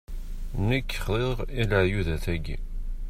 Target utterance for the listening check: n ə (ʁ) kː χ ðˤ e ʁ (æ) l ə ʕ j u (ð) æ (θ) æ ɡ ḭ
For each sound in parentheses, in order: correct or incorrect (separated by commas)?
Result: incorrect, incorrect, correct, correct